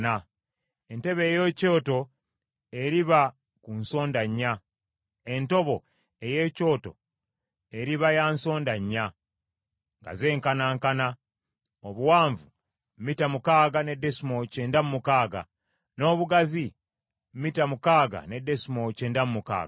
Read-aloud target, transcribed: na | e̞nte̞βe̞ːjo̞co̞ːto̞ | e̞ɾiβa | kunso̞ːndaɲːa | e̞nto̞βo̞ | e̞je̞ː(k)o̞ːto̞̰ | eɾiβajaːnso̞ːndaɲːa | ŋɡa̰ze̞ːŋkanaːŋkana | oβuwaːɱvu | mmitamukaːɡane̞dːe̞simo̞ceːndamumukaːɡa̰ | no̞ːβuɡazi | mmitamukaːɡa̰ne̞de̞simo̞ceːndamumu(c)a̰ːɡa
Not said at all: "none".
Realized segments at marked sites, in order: c, k

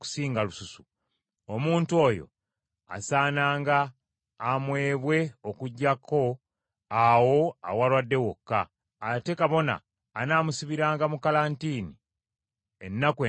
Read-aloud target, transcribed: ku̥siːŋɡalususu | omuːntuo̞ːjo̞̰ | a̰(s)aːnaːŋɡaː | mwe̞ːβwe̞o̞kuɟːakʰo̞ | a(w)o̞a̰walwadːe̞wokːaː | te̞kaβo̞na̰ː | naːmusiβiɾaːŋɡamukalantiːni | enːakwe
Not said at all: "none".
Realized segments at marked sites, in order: s, w

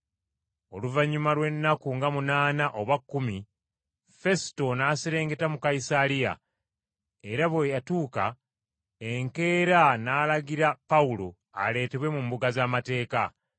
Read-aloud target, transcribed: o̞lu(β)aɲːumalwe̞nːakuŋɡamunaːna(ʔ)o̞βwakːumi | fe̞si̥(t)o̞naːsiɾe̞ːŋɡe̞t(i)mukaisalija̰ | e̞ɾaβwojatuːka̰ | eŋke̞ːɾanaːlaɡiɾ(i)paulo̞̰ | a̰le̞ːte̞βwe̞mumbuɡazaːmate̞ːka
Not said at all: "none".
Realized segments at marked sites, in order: v, ʔ, t, a, a

